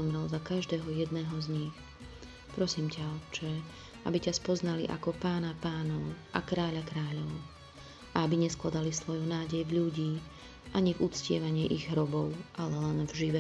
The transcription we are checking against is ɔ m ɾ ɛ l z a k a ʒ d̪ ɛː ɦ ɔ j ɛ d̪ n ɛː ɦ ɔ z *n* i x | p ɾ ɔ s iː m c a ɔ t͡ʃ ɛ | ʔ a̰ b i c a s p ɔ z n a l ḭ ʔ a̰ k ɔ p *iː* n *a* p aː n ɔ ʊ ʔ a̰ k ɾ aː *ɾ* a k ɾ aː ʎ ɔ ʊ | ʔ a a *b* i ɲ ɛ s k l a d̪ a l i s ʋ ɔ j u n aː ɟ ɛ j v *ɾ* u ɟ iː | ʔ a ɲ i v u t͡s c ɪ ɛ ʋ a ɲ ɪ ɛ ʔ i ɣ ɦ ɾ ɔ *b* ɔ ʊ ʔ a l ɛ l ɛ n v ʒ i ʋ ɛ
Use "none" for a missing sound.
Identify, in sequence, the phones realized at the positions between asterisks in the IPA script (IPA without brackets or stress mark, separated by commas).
ɲ, aː, a, ʎ, b, ʎ, b